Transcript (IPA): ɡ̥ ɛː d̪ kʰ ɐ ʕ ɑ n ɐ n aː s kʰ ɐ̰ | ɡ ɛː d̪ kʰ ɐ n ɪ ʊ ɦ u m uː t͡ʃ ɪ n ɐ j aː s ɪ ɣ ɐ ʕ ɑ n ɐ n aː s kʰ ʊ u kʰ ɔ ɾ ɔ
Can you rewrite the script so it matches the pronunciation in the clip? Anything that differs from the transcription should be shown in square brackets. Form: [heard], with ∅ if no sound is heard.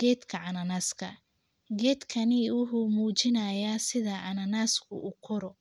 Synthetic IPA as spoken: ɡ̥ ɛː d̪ kʰ ɐ ʕ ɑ n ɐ n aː s kʰ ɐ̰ | ɡ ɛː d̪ kʰ ɐ n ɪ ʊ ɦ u m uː t͡ʃ ɪ n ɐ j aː s ɪ [ð] ɐ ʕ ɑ n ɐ n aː s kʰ ʊ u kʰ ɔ ɾ ɔ